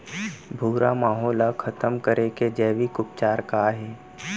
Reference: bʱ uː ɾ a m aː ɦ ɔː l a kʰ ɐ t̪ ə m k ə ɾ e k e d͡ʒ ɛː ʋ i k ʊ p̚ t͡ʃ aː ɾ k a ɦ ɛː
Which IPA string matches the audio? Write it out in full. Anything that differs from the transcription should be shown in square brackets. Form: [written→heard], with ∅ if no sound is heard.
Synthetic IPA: bʱ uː ɾ a m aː ɦ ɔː l a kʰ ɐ t̪ ə m k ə ɾ e k e d͡ʒ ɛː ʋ i k ʊ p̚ t͡ʃ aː ɾ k a ɦ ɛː